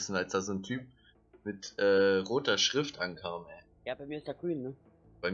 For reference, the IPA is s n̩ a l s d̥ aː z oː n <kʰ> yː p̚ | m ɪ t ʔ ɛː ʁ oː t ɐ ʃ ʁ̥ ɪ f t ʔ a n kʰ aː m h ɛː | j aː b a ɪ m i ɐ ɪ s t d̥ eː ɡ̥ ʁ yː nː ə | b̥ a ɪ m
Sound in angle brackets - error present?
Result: yes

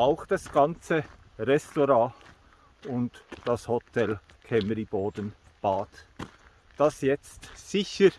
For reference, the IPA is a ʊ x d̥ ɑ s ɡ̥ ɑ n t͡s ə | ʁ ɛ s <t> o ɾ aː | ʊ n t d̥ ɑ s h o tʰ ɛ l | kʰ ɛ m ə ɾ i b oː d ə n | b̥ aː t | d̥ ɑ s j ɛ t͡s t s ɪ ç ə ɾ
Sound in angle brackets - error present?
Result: no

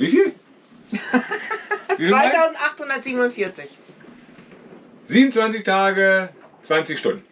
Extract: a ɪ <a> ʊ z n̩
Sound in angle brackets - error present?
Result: no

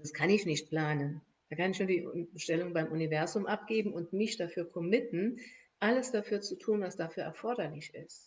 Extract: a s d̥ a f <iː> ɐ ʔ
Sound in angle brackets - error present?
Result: yes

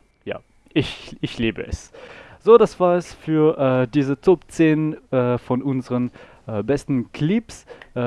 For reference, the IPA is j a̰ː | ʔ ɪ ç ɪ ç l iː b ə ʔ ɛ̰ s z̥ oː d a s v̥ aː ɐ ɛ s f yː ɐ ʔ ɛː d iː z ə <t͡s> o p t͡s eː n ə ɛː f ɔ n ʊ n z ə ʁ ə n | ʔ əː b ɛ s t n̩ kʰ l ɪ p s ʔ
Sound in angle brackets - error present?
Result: no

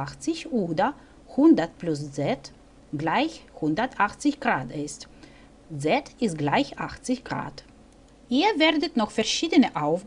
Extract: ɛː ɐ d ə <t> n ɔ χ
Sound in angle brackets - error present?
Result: no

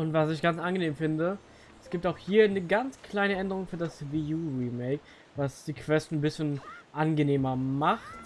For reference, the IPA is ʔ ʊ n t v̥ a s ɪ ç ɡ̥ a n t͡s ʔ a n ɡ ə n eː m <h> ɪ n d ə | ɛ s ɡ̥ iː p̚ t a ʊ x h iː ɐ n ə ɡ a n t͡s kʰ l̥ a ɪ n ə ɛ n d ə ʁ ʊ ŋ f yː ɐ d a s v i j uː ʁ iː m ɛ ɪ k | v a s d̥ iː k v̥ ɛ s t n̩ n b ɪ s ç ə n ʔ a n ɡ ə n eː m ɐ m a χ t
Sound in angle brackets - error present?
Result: yes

